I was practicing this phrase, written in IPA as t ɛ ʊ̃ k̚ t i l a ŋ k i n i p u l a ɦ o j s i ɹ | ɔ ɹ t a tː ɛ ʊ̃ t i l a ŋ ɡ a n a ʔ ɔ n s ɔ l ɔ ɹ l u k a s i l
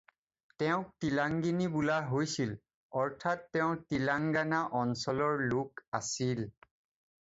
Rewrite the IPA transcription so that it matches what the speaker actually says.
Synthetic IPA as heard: t ɛ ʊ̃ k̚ t i l a ŋ ɡ i n i b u l a ɦ o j s i l | ɔ ɹ tʰ a tː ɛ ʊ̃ t i l a ŋ ɡ a n a ʔ ɔ n s ɔ l ɔ ɹ l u k a s i l